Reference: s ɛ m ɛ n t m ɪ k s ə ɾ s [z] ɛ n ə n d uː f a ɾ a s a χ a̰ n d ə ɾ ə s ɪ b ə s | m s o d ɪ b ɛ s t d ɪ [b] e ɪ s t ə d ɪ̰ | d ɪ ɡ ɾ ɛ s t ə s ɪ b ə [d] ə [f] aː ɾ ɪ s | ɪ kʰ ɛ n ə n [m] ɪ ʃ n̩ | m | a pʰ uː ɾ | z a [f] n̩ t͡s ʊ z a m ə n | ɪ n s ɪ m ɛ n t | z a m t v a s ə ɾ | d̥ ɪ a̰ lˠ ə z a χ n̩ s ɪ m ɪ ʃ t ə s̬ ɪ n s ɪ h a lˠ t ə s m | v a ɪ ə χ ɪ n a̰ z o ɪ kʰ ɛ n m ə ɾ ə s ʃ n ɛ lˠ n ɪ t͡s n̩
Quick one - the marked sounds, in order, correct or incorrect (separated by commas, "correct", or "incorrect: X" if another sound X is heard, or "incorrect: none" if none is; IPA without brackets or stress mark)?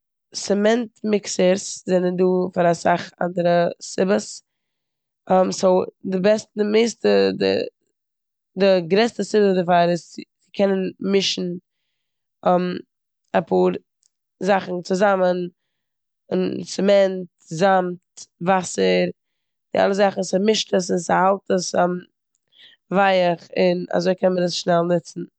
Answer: correct, incorrect: m, correct, correct, correct, incorrect: χ